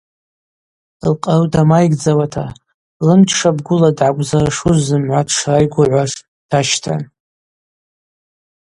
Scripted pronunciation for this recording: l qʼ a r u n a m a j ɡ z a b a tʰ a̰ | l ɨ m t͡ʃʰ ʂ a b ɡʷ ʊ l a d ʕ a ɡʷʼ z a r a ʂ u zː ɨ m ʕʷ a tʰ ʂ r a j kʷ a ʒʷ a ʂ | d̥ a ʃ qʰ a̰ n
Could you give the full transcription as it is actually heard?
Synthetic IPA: l qʼ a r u d a m a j ɡ d͡z a w a tʰ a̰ | l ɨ m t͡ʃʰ ʂ a b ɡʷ ʊ l a d ʕ a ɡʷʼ z a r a ʂ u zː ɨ m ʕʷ a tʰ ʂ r a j ɡʷ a ʕʷ a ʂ | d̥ a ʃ tʰ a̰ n

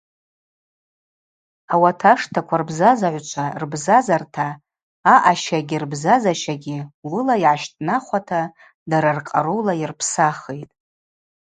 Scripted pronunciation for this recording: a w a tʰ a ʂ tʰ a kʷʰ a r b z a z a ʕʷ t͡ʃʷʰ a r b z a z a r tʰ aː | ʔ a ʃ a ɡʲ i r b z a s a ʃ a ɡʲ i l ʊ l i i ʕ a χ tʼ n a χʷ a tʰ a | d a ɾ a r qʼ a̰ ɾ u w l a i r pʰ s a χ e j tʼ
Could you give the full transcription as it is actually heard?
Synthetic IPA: a w a tʰ a ʂ tʰ a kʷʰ a r b z a z a ʕʷ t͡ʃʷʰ a r b z a z a r tʰ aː | ʔ a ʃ a ɡʲ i r b z a z a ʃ a ɡʲ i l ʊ l a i ʕ a ʃ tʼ n a χʷ a tʰ a | d a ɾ a r qʼ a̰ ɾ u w l a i r pʰ s a χ e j tʼ

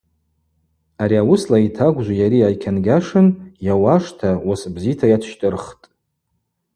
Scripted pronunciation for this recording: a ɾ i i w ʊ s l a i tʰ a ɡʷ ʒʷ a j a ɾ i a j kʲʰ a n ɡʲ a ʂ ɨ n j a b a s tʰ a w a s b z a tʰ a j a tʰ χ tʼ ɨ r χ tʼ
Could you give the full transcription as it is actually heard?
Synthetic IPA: a ɾ i a w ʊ s l a i tʰ a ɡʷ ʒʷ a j a ɾ i a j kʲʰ a n ɡʲ a ʂ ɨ n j a w a ʂ tʰ a w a s b z i tʰ a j a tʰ ʃ tʼ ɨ r χ tʼ

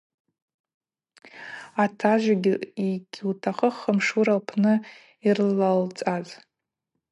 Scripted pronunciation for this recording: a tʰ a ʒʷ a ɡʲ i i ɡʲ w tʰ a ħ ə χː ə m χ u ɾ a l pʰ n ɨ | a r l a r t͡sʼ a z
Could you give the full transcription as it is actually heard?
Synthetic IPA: a tʰ a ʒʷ a ɡʲ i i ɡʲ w tʰ a χ ə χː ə m ʂ u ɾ a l pʰ n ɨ | i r l a l t͡sʼ a z

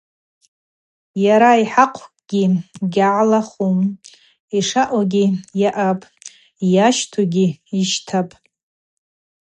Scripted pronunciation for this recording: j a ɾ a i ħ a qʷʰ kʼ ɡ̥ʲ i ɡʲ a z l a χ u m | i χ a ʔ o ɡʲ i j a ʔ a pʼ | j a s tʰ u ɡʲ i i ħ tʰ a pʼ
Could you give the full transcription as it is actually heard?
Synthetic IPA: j a ɾ a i ħ a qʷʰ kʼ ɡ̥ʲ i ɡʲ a ʕ l a χ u m | i ʂ a ʔ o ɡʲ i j a ʔ a pʼ | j a ʃ tʰ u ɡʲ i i ʃ tʰ a pʼ

